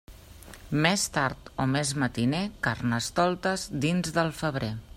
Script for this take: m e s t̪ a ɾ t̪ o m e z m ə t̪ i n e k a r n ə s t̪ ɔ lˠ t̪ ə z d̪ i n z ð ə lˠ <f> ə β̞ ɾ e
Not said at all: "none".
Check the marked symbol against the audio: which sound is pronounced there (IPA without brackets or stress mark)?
f